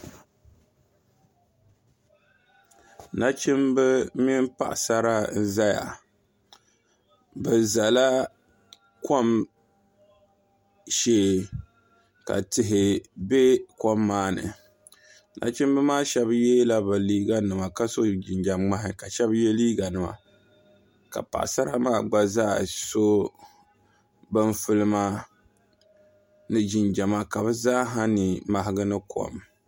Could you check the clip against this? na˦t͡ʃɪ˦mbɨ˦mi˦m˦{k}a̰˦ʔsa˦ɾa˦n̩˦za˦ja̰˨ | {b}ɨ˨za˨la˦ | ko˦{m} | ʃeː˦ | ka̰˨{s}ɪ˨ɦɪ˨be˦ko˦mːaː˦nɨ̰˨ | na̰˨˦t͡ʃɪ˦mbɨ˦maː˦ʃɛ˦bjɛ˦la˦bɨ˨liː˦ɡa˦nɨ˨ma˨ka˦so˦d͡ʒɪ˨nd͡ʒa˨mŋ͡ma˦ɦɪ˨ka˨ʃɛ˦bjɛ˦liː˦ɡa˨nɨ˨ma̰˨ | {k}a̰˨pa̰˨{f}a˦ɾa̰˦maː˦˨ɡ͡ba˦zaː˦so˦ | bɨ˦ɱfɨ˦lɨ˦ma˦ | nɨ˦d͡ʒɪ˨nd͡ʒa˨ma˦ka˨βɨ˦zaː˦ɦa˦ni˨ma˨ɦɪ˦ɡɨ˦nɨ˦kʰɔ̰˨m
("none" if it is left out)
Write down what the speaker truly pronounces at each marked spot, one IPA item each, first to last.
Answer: p, b, m, t, k, s

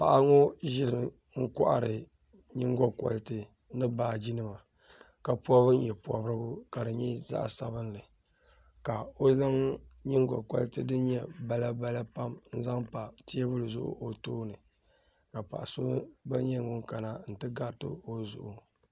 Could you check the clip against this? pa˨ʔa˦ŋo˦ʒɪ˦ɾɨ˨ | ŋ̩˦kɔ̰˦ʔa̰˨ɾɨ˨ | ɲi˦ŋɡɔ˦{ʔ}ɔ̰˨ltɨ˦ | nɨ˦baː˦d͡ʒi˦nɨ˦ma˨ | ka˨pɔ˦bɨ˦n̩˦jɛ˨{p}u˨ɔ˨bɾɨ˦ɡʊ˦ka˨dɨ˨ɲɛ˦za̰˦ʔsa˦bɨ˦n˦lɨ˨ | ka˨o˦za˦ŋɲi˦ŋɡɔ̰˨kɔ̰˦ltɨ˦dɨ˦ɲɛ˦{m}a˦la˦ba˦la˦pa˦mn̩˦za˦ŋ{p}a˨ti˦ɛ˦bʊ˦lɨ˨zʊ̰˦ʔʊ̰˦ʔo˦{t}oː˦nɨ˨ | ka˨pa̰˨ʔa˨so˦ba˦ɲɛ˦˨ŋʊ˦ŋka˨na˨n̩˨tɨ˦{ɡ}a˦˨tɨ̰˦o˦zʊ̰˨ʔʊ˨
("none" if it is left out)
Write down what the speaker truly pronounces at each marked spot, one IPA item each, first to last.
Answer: k, p, b, p, t, ɡ

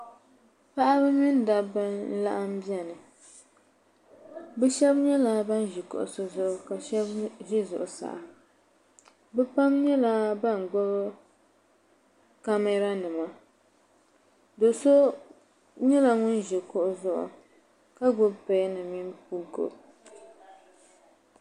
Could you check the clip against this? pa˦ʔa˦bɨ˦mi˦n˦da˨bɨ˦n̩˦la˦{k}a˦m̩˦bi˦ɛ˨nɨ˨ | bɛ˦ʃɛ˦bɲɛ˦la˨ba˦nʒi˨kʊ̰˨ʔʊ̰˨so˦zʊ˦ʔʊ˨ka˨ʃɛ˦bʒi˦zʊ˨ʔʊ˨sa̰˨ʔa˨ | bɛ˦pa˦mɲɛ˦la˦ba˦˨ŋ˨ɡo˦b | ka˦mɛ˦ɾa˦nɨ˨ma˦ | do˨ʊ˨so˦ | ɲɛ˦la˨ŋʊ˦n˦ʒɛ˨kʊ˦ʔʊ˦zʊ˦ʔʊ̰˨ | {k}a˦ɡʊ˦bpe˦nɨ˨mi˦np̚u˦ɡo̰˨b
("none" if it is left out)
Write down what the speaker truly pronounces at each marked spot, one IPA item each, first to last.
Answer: ʔ, k

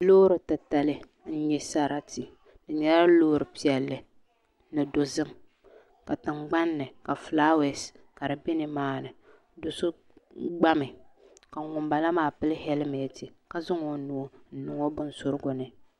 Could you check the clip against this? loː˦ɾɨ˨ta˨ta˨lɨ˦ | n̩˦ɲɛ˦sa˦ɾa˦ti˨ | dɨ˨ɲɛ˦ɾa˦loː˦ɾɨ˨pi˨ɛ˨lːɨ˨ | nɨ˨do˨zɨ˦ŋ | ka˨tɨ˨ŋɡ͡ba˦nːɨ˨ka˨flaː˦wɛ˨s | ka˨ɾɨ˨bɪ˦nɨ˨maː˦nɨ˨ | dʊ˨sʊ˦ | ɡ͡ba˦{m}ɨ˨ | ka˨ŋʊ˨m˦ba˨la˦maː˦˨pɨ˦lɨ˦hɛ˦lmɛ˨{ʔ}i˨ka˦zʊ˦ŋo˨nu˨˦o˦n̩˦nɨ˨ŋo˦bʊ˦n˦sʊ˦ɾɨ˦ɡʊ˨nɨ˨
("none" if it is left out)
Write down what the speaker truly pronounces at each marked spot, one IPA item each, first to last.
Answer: m, t

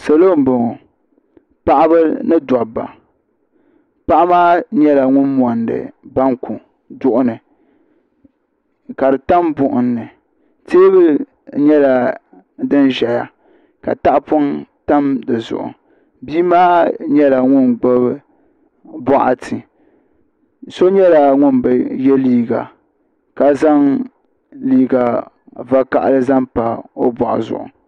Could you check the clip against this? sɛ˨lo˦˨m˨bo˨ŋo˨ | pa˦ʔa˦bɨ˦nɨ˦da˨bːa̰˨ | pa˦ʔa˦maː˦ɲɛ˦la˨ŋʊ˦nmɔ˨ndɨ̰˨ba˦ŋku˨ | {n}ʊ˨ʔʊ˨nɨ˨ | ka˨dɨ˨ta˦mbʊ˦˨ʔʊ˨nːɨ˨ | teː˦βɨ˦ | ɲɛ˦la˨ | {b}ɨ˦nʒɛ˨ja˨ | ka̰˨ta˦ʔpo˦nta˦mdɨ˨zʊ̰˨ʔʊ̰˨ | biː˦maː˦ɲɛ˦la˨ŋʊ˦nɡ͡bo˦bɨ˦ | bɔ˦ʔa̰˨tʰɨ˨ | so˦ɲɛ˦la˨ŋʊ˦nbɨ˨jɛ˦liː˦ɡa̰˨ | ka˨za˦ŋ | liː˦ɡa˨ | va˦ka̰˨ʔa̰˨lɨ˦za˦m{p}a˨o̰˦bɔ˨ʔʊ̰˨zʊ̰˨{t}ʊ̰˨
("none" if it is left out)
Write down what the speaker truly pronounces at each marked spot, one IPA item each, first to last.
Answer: d, d, p, ʔ

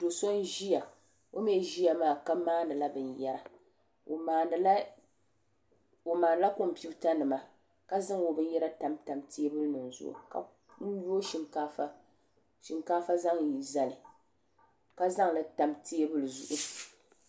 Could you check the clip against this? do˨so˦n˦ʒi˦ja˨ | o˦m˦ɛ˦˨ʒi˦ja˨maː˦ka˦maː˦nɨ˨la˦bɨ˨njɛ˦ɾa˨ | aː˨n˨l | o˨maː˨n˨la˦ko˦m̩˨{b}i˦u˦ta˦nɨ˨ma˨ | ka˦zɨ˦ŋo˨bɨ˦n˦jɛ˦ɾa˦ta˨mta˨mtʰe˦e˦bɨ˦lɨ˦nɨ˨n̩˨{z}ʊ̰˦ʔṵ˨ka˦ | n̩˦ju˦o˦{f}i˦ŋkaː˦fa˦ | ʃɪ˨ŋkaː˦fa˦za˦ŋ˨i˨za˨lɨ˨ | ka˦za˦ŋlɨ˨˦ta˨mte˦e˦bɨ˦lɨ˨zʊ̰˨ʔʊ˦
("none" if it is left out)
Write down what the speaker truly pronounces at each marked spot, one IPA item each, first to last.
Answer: p, z, ʃ

